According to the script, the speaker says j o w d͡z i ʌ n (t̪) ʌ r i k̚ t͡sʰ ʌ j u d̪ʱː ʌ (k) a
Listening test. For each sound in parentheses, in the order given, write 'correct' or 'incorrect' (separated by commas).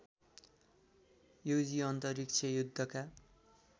correct, correct